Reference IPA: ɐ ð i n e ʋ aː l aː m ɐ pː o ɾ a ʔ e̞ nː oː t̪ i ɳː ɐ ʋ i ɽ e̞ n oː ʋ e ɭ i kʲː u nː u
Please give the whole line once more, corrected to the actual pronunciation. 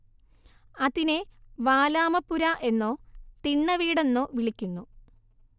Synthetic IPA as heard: ɐ ð i n e ʋ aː l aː m ɐ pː u ɾ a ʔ e̞ nː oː t̪ i ɳː ɐ ʋ iː ɽ e̞ nː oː ʋ i ɭ i kʲː u nː u